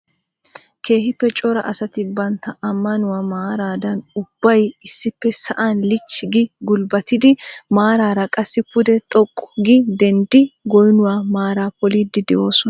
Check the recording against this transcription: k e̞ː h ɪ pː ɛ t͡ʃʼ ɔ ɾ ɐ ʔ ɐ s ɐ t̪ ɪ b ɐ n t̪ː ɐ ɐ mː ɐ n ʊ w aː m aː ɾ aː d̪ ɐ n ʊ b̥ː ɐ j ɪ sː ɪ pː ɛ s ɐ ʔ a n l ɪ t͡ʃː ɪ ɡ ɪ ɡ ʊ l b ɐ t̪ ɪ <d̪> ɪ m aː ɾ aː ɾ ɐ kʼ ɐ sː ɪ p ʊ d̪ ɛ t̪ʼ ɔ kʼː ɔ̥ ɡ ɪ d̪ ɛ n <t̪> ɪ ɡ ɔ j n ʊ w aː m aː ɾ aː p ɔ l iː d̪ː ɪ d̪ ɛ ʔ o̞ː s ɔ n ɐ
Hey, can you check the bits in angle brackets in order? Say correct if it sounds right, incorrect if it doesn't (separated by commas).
correct, incorrect